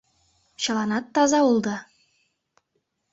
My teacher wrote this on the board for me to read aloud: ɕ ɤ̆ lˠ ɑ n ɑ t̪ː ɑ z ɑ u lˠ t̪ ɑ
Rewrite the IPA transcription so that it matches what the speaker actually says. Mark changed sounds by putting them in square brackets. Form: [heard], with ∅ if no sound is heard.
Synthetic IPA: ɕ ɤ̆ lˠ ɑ n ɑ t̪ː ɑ z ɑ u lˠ [d̪] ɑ